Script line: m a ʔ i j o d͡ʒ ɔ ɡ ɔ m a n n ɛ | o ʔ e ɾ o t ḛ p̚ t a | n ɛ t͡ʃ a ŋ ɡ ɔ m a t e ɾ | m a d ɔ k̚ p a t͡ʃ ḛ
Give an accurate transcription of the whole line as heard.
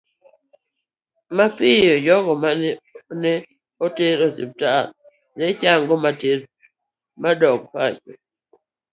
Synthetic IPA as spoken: m a p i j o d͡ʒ ɔ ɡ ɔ m a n n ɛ | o t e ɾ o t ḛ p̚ t a | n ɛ t͡ʃ a ŋ ɡ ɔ m a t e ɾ | m a d ɔ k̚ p a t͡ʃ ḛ